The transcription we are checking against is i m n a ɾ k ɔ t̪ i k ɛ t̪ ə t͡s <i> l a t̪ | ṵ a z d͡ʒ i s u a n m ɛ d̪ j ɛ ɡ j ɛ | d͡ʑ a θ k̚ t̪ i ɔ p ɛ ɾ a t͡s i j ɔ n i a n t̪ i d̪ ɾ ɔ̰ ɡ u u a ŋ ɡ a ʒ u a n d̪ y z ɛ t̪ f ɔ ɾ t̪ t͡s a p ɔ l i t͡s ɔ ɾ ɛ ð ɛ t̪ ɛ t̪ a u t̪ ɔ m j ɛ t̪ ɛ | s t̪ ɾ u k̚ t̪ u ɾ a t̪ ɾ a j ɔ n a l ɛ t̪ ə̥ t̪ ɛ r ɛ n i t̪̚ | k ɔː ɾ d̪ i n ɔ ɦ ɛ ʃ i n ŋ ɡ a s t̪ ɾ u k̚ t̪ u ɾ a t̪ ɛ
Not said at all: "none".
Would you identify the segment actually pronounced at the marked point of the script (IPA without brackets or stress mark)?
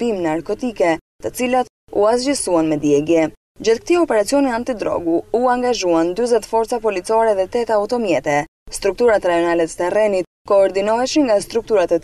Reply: i